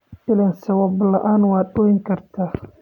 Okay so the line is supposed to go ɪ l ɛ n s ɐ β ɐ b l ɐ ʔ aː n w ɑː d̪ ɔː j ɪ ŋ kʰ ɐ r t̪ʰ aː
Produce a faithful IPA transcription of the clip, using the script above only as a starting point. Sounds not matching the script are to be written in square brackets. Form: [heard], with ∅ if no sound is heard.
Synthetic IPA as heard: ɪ l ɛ n s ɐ [w] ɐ b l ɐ ʔ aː n w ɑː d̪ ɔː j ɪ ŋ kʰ ɐ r t̪ʰ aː

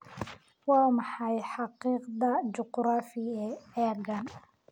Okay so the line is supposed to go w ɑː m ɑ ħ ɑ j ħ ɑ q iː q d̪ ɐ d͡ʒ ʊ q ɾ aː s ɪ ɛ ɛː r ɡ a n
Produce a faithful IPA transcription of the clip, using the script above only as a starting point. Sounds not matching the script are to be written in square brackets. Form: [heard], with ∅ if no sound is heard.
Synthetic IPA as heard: w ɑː m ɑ ħ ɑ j ħ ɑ q iː q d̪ ɐ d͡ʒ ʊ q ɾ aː [f] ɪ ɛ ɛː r ɡ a n

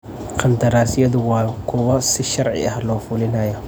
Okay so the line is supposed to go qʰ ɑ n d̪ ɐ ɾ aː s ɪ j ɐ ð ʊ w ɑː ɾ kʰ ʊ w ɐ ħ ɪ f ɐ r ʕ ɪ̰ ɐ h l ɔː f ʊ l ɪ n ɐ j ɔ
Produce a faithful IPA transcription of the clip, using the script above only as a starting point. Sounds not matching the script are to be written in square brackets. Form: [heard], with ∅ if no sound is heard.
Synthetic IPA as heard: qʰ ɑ n d̪ ɐ ɾ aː s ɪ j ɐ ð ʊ w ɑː [∅] kʰ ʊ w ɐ [s] ɪ [ʃ] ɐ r ʕ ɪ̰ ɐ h l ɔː f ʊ l ɪ n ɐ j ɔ

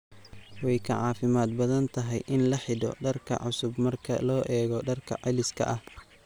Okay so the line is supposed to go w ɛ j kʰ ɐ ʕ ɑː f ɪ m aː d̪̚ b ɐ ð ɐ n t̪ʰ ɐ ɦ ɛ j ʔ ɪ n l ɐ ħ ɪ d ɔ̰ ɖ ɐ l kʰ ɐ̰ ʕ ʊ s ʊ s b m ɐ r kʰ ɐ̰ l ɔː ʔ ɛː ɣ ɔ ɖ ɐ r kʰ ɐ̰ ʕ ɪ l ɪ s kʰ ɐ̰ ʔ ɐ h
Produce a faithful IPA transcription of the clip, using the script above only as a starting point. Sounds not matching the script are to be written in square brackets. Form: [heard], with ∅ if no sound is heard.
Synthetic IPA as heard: w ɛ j kʰ ɐ ʕ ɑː f ɪ m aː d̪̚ b ɐ ð ɐ n t̪ʰ ɐ ɦ ɛ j ʔ ɪ n l ɐ ħ ɪ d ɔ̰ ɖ ɐ [r] kʰ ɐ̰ ʕ ʊ s ʊ [∅] b m ɐ r kʰ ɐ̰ l ɔː ʔ ɛː ɣ ɔ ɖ ɐ r kʰ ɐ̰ ʕ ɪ l ɪ s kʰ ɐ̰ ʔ ɐ h

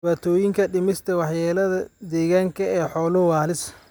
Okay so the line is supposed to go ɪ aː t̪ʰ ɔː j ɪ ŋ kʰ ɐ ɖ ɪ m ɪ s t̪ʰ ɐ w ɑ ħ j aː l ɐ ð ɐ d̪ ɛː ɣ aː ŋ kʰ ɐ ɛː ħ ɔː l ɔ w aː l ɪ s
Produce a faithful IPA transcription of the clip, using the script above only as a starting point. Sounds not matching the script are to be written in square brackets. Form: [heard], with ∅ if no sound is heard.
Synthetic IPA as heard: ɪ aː t̪ʰ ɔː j ɪ ŋ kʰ ɐ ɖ ɪ m ɪ s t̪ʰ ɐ w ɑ ħ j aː l ɐ ð ɐ d̪ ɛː ɣ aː ŋ kʰ ɐ ɛː ħ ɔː l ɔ w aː l ɪ s

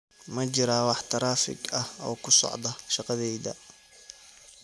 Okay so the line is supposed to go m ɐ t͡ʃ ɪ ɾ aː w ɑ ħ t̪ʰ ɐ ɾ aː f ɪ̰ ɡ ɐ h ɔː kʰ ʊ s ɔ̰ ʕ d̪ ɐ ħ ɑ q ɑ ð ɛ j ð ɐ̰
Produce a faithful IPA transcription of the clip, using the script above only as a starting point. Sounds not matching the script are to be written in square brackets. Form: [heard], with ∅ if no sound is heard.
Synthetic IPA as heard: m ɐ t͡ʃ ɪ ɾ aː w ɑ ħ t̪ʰ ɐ ɾ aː f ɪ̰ ɡ ɐ h ɔː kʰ ʊ s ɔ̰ ʕ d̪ ɐ [ʃ] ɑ q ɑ ð ɛ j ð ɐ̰

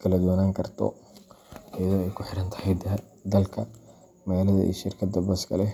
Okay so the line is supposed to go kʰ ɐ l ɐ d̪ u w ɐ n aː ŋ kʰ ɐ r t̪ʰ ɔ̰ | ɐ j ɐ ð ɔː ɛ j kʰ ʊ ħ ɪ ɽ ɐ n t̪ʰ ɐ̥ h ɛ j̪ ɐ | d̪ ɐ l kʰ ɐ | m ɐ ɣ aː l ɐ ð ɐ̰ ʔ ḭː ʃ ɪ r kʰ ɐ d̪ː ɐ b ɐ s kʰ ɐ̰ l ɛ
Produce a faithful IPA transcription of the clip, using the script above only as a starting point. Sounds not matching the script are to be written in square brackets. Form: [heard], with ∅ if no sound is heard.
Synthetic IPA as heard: kʰ ɐ l ɐ d̪ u w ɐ n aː ŋ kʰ ɐ r t̪ʰ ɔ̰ | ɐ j ɐ ð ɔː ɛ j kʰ ʊ ħ ɪ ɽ ɐ n t̪ʰ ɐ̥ h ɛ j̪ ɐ | d̪ ɐ l kʰ ɐ | m ɐ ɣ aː l ɐ ð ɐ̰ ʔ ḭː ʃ ɪ r kʰ ɐ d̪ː ɐ b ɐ s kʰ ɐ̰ l ɛ

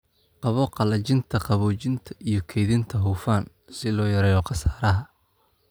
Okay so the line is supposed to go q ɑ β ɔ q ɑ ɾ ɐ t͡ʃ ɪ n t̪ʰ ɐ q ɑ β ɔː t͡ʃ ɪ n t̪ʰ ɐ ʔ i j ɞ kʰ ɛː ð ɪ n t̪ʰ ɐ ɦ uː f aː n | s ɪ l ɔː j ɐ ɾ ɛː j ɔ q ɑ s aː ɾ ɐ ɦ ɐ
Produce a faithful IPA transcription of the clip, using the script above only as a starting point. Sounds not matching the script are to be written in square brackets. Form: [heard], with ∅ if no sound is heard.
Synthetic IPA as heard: q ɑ β ɔ q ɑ [l] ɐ t͡ʃ ɪ n t̪ʰ ɐ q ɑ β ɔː t͡ʃ ɪ n t̪ʰ ɐ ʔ i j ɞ kʰ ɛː ð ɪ n t̪ʰ ɐ ɦ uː f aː n | s ɪ l ɔː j ɐ ɾ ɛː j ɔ q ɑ s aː ɾ ɐ ɦ ɐ

